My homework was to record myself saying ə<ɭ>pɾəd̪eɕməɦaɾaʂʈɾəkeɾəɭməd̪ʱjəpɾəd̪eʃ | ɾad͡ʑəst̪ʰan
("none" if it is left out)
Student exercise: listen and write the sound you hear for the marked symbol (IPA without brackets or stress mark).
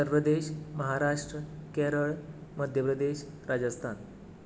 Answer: ɾ